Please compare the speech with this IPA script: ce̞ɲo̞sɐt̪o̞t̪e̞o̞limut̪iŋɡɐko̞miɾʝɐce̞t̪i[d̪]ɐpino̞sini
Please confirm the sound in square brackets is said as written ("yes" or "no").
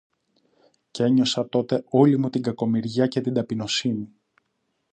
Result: yes